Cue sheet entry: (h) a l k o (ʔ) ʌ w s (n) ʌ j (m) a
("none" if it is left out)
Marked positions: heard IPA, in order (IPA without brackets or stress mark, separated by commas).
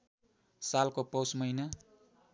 s, p, m, n